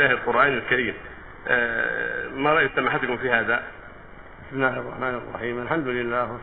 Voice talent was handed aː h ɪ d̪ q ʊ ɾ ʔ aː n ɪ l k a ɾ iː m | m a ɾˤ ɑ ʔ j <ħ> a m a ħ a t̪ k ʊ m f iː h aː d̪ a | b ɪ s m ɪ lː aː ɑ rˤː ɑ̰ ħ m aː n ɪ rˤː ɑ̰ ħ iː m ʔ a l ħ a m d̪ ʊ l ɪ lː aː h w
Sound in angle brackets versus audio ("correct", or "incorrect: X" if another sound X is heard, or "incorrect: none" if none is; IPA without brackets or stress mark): incorrect: s